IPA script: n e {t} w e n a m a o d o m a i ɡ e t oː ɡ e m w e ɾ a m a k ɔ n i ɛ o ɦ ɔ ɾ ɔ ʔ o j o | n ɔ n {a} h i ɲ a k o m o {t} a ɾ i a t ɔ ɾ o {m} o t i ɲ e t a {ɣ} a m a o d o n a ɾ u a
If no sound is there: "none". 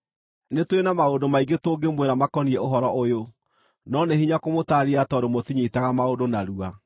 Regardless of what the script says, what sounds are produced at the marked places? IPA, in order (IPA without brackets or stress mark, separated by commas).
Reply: t, e, t, m, ɣ